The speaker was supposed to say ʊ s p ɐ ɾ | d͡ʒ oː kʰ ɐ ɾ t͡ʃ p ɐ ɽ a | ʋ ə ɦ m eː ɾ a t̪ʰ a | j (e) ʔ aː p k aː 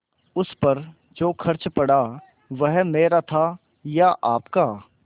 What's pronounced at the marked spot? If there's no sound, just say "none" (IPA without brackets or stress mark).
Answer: a